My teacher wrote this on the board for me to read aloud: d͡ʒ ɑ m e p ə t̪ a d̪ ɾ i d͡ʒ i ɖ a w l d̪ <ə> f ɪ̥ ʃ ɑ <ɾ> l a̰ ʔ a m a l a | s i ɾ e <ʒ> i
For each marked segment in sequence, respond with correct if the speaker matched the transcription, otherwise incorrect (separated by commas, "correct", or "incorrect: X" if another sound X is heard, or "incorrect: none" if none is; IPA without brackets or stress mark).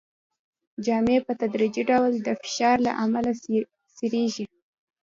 correct, correct, correct